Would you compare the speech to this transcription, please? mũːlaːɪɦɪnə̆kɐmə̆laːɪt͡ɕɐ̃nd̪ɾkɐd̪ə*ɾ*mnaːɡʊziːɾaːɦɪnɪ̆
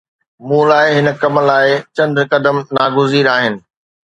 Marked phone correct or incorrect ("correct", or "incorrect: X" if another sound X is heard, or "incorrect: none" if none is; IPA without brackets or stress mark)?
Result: incorrect: none